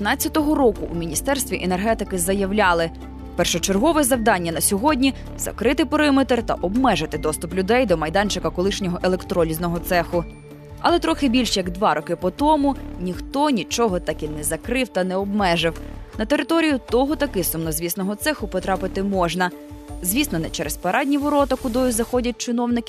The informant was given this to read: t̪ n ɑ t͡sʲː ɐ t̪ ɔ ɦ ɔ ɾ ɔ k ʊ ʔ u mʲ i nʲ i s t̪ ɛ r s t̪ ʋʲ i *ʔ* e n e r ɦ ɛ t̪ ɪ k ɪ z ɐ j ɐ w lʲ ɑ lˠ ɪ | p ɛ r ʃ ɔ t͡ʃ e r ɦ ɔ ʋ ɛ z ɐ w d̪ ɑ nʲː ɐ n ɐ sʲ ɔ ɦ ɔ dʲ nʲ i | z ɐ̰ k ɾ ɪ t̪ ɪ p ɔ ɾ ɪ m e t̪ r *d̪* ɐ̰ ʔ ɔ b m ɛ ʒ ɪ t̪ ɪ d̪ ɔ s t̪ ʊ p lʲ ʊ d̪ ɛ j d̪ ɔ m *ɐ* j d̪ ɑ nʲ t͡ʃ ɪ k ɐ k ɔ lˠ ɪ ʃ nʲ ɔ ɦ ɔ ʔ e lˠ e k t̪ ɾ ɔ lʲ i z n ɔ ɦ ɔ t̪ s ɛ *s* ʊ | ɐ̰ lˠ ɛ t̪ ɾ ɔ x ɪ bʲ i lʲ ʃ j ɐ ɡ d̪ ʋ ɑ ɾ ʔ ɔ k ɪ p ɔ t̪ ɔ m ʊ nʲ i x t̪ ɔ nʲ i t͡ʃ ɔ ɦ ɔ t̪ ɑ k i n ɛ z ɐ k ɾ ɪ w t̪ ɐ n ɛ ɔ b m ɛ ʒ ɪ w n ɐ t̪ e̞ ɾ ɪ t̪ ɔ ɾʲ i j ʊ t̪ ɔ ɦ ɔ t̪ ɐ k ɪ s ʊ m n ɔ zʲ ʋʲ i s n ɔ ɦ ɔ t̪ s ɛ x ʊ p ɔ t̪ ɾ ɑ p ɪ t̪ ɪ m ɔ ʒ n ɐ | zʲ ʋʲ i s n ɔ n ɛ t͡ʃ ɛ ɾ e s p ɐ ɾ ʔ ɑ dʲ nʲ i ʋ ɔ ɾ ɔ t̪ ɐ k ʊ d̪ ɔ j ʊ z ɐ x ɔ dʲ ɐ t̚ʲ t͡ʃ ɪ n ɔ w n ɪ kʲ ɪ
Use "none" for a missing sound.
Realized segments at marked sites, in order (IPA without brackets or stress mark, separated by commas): ʔ, t̪, ɐ, x